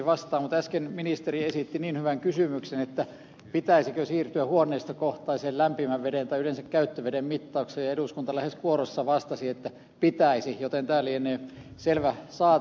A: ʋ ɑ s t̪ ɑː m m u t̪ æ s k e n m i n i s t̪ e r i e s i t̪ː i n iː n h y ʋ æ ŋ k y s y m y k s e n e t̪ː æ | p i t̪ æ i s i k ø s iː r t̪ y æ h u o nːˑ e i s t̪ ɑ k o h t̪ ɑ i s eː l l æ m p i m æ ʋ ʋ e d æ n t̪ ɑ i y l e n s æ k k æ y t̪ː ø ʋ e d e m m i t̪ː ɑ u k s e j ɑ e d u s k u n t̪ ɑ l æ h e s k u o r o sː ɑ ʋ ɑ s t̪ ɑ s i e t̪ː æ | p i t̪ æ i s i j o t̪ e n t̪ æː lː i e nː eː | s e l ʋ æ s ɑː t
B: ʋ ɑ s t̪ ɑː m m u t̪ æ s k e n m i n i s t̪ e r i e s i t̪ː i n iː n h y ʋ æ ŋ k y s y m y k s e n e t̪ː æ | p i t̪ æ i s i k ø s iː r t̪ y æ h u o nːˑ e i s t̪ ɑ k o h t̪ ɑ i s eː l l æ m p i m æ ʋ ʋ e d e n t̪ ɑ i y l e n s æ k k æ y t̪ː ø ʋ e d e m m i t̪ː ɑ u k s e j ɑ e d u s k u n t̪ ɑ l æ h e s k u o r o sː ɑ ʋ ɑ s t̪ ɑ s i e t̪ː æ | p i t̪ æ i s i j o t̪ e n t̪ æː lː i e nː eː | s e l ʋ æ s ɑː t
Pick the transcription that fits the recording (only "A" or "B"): B